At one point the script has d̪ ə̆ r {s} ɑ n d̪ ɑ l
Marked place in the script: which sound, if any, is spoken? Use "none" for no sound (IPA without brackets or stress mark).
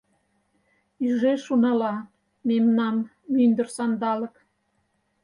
s